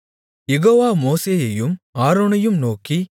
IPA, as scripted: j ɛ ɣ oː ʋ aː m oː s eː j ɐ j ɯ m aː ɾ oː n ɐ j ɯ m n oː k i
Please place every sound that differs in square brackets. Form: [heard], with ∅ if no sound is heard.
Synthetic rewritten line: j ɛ ɣ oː ʋ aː m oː s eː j ɐ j ɯ m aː ɾ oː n ɐ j ɯ m n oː k i